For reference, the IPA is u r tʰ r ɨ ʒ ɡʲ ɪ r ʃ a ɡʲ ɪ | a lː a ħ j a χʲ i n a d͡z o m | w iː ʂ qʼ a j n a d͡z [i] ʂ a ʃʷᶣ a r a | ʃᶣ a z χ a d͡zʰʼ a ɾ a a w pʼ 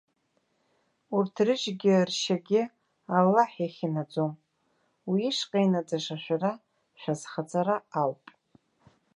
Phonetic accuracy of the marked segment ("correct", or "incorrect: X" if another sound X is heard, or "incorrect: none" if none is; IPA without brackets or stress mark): incorrect: a